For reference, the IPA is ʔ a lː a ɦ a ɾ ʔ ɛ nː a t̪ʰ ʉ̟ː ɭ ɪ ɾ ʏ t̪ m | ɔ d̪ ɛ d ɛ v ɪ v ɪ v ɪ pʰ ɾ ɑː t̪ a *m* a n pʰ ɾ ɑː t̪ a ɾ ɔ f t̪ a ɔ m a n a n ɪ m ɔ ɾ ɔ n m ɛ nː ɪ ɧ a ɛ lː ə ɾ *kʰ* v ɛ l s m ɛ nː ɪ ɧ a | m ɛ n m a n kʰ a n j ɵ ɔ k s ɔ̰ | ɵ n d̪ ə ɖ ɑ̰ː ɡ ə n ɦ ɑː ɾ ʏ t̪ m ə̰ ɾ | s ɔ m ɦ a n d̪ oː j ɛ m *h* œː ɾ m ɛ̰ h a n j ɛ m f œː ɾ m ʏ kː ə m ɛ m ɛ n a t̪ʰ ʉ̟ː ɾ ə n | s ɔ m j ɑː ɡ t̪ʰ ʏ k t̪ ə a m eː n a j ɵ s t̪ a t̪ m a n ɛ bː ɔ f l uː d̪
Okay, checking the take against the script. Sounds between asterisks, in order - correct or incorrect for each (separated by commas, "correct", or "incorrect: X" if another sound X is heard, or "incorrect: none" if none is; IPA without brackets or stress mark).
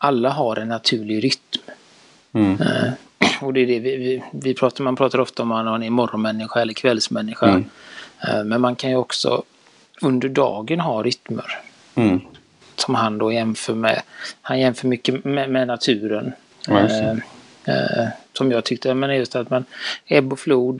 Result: correct, correct, incorrect: f